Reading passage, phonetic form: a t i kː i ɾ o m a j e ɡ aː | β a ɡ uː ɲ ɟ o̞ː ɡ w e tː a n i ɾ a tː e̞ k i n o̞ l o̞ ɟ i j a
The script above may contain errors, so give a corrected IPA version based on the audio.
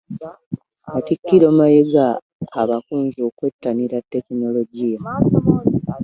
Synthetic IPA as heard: a t i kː i ɾ o m a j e ɡ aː | β a k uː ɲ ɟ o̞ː k w e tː a n i ɾ a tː e̞ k i n o̞ l o̞ ɟ i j a